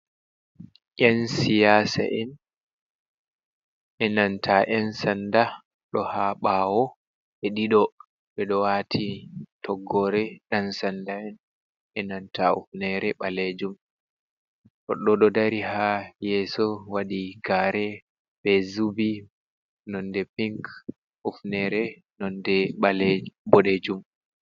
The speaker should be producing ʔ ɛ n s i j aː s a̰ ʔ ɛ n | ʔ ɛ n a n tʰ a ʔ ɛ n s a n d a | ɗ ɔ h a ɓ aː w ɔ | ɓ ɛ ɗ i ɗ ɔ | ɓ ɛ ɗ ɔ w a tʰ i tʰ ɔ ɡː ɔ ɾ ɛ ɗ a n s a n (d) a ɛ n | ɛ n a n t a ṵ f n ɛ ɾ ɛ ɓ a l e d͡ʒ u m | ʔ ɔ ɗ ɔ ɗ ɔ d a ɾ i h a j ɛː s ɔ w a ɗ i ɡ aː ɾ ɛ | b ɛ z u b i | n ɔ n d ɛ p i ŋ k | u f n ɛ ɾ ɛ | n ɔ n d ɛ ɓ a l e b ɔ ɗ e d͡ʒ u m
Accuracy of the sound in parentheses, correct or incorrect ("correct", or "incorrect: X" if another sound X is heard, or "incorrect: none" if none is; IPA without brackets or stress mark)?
correct